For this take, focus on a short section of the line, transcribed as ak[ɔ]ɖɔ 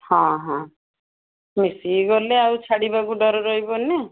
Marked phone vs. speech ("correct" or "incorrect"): incorrect